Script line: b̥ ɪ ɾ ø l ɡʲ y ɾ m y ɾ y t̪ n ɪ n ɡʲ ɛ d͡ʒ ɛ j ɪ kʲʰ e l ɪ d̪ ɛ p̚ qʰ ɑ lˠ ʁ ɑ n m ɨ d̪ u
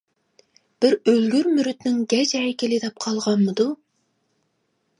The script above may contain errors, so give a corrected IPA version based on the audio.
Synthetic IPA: b̥ ɪ ɾ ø l ɡʲ y ɾ m y ɾ y t̪ n ɪ ŋ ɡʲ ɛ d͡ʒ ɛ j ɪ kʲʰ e l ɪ d̪ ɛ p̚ qʰ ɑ lˠ ʁ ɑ n m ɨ d̪ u